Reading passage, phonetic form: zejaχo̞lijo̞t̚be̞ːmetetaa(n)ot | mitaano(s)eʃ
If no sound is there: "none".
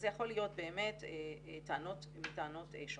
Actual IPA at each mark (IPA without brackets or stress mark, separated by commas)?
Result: n, t